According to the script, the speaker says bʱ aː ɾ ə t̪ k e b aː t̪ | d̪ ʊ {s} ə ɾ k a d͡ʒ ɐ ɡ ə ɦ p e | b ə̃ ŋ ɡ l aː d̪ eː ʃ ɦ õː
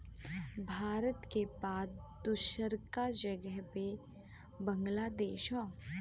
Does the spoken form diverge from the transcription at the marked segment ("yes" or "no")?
yes